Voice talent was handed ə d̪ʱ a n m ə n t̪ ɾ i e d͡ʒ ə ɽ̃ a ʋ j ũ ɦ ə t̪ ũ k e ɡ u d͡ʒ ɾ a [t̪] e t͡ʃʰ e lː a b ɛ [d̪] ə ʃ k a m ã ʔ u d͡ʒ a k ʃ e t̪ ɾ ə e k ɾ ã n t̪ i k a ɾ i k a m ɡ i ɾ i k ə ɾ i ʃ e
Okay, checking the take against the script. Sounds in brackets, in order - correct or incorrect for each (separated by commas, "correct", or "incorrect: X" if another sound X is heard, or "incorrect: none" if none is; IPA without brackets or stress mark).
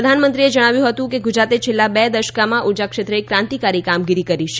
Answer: correct, correct